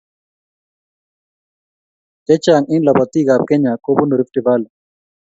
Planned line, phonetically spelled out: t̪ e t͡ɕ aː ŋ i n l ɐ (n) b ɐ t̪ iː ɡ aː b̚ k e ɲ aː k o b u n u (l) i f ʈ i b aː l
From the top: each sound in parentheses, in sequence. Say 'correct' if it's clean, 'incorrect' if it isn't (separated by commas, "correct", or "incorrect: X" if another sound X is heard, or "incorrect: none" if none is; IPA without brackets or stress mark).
incorrect: none, incorrect: ɾ